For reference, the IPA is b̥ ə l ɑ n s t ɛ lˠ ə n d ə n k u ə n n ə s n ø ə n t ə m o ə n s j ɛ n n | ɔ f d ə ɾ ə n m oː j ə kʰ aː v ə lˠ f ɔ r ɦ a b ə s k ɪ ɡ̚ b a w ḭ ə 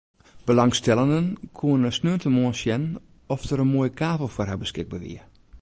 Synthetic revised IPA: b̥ ə l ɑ ŋ s t ɛ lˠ ə n d ə n kʰ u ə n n ə s n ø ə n t ə m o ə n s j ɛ n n | ɔ f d ə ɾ ə n m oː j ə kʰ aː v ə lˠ f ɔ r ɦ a b ə s k ɪ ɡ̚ b a ʋ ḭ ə